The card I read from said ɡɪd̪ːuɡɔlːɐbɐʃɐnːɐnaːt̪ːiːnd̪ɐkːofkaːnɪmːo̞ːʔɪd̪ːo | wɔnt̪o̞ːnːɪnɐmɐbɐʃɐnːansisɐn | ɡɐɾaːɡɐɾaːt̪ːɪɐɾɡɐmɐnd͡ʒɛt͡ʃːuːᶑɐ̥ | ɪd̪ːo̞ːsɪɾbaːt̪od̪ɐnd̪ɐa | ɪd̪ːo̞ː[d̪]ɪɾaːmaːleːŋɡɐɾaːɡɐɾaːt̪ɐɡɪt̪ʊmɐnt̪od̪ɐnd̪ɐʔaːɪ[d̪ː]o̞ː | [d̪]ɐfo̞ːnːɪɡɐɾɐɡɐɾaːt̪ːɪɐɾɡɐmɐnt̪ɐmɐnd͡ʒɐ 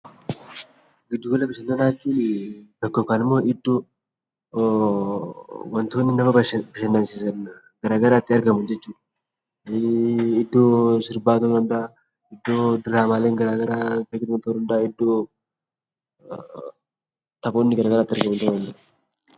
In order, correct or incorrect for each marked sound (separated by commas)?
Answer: correct, correct, incorrect